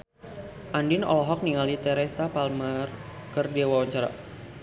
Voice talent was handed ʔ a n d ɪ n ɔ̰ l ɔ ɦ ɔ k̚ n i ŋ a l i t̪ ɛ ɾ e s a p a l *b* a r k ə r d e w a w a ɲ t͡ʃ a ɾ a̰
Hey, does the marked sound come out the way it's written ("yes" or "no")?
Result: no